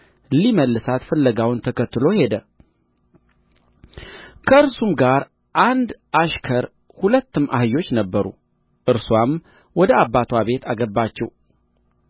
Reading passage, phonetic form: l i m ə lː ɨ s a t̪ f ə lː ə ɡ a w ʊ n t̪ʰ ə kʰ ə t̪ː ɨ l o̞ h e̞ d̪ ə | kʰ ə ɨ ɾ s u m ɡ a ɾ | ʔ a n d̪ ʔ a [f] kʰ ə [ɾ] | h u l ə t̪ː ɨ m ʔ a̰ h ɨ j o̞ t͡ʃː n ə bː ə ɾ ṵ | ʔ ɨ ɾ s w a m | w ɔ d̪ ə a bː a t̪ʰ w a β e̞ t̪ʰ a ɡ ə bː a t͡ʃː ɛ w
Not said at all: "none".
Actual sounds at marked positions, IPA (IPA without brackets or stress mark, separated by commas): ʃ, ɾ